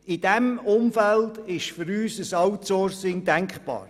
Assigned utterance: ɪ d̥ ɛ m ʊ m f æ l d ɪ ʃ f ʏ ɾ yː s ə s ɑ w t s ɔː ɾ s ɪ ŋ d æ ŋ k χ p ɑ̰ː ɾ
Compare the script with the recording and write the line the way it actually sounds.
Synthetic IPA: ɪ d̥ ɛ m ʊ m f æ l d ɪ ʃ f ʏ ɾ yː s ə s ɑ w t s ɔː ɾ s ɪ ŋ d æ ŋ k χ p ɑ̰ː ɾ

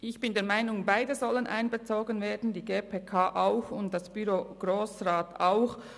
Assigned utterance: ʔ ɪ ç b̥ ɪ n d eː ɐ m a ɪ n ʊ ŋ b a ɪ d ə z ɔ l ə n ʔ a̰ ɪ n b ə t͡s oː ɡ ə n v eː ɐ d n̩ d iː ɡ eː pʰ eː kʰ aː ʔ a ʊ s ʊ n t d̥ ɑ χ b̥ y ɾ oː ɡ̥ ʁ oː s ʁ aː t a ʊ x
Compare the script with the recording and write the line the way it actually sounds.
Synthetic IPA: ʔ ɪ ç b̥ ɪ n d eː ɐ m a ɪ n ʊ ŋ b a ɪ d ə z ɔ l ə n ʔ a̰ ɪ n b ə t͡s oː ɡ ə n v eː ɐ d n̩ d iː ɡ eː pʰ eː kʰ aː ʔ a ʊ x ʊ n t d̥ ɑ s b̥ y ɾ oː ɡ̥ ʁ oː s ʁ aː t a ʊ x

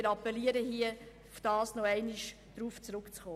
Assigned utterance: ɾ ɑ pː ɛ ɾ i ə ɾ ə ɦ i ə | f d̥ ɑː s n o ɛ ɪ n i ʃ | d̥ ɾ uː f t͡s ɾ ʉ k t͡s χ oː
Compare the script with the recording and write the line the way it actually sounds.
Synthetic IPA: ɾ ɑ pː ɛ l i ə ɾ ə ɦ i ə | f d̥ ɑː s n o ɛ ɪ n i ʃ | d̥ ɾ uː f t͡s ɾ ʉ k t͡s χ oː

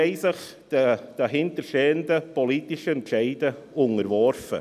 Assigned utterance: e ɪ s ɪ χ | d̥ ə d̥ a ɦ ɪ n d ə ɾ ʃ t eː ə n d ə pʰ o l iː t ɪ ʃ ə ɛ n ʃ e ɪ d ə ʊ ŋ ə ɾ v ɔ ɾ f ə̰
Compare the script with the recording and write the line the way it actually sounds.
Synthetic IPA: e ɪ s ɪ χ | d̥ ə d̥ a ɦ ɪ n t ə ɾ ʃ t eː ə n d ə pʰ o l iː t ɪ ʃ ə ɛ n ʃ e ɪ d ə ʊ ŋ ə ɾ v ɔ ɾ f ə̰

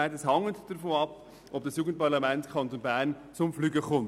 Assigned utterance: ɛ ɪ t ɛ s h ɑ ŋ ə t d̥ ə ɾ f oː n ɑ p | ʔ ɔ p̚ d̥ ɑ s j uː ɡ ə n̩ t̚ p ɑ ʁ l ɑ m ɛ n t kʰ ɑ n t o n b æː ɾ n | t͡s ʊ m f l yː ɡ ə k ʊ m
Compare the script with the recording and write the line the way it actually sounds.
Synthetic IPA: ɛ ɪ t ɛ s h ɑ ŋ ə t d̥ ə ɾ f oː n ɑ p | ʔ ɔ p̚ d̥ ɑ s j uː ɡ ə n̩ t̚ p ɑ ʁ l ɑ m ɛ n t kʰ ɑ n t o n b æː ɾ n | t͡s ʊ m f l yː ɡ ə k ʊ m

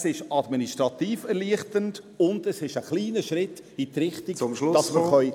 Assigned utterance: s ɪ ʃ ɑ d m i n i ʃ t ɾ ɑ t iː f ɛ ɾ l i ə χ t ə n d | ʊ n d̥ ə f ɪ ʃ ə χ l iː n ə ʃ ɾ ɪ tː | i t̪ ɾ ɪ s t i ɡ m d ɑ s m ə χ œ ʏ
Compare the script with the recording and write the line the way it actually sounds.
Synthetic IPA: s ɪ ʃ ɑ d m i n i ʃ t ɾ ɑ t iː f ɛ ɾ l i ə χ t ə n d | ʊ n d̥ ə s ɪ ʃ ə χ l iː n ə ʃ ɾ ɪ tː | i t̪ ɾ ɪ χ t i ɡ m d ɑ s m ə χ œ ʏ

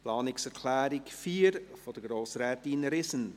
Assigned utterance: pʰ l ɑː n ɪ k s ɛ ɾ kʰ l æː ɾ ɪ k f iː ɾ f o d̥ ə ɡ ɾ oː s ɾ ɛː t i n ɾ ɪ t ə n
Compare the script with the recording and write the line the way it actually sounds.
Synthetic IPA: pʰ l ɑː n ɪ k s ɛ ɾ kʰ l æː ɾ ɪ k f iː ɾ f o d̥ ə ɡ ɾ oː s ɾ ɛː t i n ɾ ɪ s ə n

